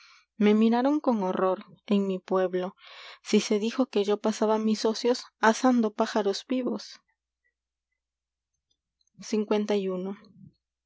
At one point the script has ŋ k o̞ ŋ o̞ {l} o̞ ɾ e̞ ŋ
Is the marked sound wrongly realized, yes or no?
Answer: yes